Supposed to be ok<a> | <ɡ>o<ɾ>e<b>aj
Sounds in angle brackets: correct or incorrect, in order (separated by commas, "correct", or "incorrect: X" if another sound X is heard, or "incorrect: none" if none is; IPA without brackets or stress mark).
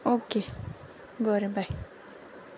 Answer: incorrect: e, correct, correct, correct